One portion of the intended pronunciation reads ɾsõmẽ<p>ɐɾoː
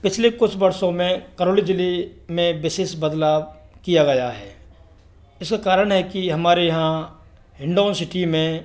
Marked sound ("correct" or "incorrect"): incorrect